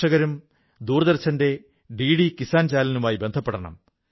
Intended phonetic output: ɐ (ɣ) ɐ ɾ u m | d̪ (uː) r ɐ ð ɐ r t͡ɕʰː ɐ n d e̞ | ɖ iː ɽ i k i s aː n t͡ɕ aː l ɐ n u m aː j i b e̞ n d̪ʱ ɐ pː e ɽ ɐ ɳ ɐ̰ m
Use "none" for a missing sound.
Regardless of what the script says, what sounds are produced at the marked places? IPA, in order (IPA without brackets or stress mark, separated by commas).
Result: ɣ, uː